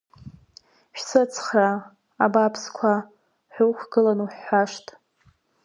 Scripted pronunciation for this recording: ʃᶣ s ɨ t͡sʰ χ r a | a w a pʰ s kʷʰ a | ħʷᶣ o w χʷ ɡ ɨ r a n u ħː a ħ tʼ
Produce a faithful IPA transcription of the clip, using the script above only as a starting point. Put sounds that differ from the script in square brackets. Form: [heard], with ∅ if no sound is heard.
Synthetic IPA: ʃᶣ s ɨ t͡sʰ χ r a | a [b] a pʰ s kʷʰ a | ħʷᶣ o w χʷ ɡ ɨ [l] a n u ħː a [ʂ] tʼ